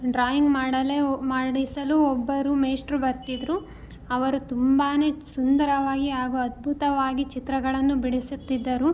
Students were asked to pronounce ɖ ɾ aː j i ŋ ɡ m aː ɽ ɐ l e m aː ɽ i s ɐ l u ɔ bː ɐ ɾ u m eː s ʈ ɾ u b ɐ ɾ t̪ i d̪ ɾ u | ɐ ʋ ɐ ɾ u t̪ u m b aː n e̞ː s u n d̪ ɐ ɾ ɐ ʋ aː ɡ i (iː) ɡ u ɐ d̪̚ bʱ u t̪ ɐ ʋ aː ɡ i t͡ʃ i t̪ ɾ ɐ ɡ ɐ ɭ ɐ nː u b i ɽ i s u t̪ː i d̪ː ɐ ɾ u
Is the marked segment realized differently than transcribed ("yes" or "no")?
yes